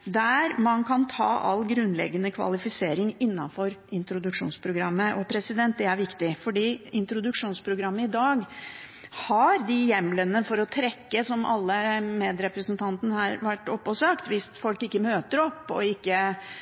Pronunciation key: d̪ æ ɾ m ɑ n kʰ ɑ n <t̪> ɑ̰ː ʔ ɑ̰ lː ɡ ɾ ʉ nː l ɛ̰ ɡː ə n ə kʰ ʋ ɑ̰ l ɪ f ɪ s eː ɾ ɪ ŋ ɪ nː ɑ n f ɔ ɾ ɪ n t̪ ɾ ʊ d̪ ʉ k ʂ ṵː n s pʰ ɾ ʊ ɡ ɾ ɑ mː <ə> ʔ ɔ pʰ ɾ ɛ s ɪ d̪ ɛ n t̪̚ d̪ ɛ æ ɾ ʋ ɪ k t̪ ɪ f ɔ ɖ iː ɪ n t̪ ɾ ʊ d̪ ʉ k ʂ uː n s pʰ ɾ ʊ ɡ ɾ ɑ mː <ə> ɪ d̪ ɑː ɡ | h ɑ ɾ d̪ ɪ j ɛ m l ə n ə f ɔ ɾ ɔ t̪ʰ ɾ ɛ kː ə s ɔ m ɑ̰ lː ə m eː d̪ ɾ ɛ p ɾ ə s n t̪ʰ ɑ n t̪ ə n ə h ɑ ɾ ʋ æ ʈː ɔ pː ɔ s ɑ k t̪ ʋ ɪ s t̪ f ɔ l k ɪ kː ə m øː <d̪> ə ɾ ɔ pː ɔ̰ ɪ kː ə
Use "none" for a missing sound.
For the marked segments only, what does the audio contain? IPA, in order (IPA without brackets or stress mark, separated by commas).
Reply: t̪ʰ, ə, ə, t̪